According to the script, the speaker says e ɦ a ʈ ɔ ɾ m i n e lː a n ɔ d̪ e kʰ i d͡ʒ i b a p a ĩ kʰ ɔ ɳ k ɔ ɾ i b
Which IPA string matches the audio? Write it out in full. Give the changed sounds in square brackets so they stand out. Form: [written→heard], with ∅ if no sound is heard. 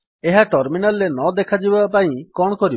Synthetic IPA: e ɦ a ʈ ɔ ɾ m i n [e→a] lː [a→e] n ɔ d̪ e kʰ [i→a] d͡ʒ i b a p a ĩ [kʰ→k] ɔ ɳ k ɔ ɾ i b